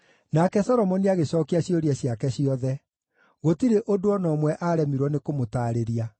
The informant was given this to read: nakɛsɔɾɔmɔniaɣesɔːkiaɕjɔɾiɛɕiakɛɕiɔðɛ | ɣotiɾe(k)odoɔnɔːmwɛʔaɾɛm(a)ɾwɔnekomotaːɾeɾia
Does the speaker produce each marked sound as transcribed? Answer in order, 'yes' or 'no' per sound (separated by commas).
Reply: no, no